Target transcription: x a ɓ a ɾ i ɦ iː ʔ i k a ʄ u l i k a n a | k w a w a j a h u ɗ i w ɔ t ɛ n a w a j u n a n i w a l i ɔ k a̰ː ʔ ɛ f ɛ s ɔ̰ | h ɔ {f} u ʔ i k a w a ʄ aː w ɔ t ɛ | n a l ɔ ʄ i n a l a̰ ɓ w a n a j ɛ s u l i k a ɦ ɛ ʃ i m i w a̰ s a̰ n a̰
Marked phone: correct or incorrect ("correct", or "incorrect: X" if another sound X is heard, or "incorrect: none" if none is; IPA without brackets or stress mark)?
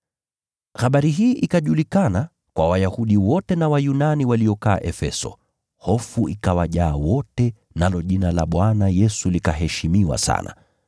correct